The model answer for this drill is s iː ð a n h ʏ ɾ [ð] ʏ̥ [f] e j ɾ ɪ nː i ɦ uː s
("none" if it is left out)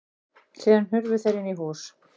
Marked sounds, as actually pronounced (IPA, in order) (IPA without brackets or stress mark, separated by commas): v, θ